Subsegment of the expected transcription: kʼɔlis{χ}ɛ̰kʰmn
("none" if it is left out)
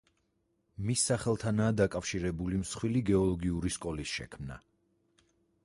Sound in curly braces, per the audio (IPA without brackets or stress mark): ʃ